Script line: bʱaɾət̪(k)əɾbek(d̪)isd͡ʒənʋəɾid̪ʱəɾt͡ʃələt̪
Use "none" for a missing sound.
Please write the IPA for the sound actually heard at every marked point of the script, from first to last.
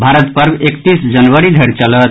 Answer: p, t̪

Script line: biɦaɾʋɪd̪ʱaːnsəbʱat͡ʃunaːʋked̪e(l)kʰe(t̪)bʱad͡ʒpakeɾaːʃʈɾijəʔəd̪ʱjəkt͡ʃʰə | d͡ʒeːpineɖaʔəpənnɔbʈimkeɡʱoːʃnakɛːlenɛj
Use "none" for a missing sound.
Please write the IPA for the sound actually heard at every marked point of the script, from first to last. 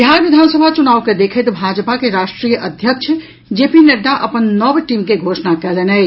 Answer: none, t̪

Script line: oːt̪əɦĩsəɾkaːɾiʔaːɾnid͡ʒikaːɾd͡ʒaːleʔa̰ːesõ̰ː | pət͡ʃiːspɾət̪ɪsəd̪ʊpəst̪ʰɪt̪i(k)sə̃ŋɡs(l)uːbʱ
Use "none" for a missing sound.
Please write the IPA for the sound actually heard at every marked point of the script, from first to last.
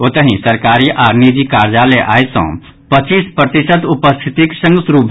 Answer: k, ɾ

